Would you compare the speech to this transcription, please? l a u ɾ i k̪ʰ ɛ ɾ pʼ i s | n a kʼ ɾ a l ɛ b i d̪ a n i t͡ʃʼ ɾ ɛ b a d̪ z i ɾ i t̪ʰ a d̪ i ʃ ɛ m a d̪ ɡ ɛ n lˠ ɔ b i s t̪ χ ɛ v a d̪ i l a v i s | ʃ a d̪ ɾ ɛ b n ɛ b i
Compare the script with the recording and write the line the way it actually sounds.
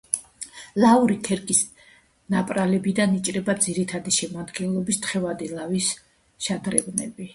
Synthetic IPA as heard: l a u ɾ i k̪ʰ ɛ ɾ kʼ i s | n a pʼ ɾ a l ɛ b i d̪ a n i t͡ʃʼ ɾ ɛ b a d̪ z i ɾ i t̪ʰ a d̪ i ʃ ɛ m a d̪ ɡ ɛ n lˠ ɔ b i s t̪ χ ɛ v a d̪ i l a v i s | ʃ a d̪ ɾ ɛ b n ɛ b i

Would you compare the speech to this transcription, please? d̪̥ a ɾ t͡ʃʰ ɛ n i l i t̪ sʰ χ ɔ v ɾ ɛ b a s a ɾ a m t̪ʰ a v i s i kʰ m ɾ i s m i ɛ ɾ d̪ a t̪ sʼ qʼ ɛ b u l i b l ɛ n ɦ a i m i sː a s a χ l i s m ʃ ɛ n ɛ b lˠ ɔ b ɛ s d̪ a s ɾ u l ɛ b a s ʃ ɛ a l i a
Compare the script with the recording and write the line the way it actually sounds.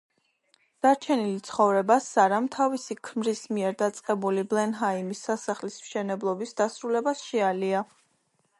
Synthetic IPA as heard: d̪̥ a ɾ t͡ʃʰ ɛ n i l i t̪ sʰ χ ɔ v ɾ ɛ b a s a ɾ a m t̪ʰ a v i s i kʰ m ɾ i s m i ɛ ɾ d̪ a t̪ sʼ qʼ ɛ b u l i b l ɛ n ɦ a i m i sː a s a χ l i s m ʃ ɛ n ɛ b lˠ ɔ b i s d̪ a s ɾ u l ɛ b a s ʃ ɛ a l i a

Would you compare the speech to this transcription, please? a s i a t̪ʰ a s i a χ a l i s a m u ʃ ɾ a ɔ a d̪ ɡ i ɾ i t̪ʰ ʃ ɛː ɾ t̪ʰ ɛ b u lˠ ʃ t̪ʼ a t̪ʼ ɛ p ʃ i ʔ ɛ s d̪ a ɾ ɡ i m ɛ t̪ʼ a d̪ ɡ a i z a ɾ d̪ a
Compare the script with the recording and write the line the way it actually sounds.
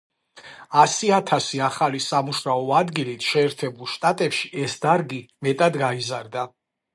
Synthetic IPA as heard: a s i a t̪ʰ a s i a χ a l i s a m u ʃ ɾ a ɔ a d̪ ɡ i l i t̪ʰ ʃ ɛː ɾ t̪ʰ ɛ b u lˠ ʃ t̪ʼ a t̪ʼ ɛ p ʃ i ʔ ɛ s d̪ a ɾ ɡ i m ɛ t̪ʼ a d̪ ɡ a i z a ɾ d̪ a

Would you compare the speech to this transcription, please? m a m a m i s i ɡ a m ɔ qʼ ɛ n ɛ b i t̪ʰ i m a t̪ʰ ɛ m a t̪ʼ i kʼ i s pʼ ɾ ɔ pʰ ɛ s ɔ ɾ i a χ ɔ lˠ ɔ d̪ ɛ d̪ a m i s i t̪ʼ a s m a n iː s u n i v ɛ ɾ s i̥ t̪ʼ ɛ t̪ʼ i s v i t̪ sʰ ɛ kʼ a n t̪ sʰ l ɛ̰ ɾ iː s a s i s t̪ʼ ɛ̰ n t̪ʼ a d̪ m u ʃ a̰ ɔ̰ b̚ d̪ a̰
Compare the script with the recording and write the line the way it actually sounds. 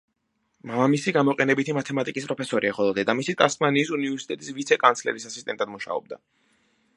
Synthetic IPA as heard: m a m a m i s i ɡ a m ɔ qʼ ɛ n ɛ b i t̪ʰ i m a t̪ʰ ɛ m a t̪ʼ i kʼ i s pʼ ɾ ɔ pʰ ɛ s ɔ ɾ i a χ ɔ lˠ ɔ d̪ ɛ d̪ a m i s i t̪ʼ a s m a n iː s u n i v ɛ ɾ s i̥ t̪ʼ ɛ t̪ʼ i s v i t̪ sʰ ɛ kʼ a n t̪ sʰ l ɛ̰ ɾ i s a s i s t̪ʼ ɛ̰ n t̪ʼ a d̪ m u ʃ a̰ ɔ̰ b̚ d̪ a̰

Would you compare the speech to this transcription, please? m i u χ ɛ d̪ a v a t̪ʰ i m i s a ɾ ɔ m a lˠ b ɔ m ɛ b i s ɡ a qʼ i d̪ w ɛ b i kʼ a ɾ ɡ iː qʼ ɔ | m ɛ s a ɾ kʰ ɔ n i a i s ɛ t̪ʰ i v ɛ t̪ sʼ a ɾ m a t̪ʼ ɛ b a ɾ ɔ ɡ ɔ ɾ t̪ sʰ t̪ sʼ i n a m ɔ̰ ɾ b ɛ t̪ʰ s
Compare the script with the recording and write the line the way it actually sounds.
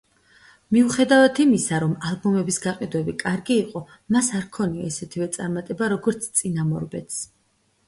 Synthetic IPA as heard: m i u χ ɛ d̪ a v a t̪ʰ i m i s a ɾ ɔ m a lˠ b ɔ m ɛ b i s ɡ a qʼ i d̪ w ɛ b i kʼ a ɾ ɡ iː qʼ ɔ | m a s a ɾ kʰ ɔ n i a i s ɛ t̪ʰ i v ɛ t̪ sʼ a ɾ m a t̪ʼ ɛ b a ɾ ɔ ɡ ɔ ɾ t̪ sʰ t̪ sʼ i n a m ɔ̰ ɾ b ɛ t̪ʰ s

